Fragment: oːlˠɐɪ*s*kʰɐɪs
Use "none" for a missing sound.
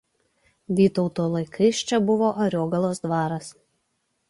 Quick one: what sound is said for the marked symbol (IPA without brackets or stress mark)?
none